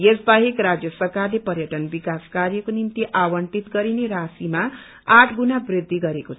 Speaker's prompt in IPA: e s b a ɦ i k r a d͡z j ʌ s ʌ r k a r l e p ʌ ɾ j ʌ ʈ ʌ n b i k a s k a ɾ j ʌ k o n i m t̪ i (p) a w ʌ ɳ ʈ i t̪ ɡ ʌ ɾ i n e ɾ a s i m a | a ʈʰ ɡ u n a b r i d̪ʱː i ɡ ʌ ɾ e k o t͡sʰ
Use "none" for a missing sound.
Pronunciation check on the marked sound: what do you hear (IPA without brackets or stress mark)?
ʔ